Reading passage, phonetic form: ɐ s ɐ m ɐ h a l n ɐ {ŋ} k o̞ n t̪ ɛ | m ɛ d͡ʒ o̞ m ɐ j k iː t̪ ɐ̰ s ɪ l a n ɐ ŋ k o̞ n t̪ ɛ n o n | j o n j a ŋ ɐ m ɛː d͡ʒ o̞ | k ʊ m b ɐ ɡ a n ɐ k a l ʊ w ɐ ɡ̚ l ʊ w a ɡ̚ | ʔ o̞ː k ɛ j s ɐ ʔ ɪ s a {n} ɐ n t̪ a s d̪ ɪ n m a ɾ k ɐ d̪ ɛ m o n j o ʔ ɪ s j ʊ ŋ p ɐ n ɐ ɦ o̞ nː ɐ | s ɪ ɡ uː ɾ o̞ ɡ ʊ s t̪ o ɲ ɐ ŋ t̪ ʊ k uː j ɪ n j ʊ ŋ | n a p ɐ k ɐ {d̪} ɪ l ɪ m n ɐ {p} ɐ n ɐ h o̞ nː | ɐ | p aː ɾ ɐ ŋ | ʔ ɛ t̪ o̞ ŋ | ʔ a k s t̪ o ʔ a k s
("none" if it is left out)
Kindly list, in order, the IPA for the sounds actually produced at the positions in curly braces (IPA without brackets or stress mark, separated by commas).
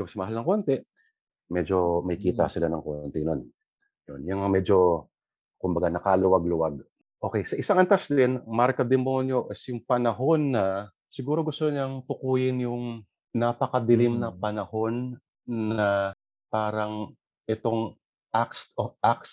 ŋ, ŋ, d̪, p